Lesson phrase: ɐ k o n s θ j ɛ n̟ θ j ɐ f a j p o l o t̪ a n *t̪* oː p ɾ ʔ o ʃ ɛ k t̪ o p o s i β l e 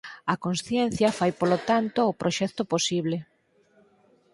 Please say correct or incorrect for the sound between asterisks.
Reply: correct